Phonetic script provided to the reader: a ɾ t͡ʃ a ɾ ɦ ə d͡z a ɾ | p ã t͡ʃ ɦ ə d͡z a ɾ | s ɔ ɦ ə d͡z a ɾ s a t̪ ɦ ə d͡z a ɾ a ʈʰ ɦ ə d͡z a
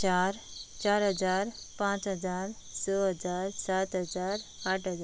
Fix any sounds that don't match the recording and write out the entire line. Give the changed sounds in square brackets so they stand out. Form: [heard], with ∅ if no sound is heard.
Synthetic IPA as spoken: a ɾ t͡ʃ a ɾ ɦ ə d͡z a ɾ | p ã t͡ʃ ɦ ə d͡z a ɾ | s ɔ ɦ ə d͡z a ɾ s a t̪ ɦ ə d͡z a ɾ a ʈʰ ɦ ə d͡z a